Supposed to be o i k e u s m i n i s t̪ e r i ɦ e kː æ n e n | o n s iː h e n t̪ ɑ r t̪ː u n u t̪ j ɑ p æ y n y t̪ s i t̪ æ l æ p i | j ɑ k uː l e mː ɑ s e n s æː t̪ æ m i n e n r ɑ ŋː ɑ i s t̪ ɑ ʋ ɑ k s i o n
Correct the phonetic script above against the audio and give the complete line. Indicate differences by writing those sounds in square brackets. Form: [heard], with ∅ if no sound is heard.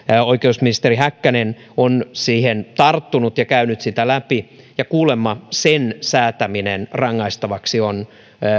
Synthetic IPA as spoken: o i k e u s m i n i s t̪ e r i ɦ [æ] kː æ n e n | o n s iː h e n t̪ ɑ r t̪ː u n u t̪ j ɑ [k] æ y n y t̪ s i t̪ æ l æ p i | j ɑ k uː l e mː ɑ s e n s æː t̪ æ m i n e n r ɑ ŋː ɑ i s t̪ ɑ ʋ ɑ k s i o n